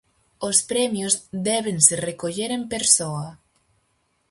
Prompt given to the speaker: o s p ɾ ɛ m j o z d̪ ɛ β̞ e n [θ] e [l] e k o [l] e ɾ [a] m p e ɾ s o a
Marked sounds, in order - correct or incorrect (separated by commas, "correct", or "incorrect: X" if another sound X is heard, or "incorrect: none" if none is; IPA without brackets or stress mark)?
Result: incorrect: s, incorrect: r, incorrect: ʎ, incorrect: e